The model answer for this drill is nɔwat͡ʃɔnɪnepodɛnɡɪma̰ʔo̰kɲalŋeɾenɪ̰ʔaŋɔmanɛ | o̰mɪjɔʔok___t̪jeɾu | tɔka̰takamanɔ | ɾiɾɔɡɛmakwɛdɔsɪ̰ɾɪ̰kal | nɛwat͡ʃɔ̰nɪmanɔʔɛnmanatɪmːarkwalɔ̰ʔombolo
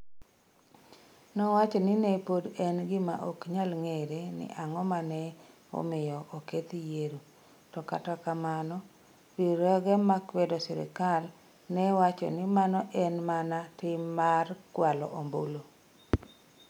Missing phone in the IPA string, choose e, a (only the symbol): e